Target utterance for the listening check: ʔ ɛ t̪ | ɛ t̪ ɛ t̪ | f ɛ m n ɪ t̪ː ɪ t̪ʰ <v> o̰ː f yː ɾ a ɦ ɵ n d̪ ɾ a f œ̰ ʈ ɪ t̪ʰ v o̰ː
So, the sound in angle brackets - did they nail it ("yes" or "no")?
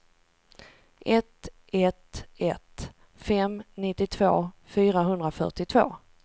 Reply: yes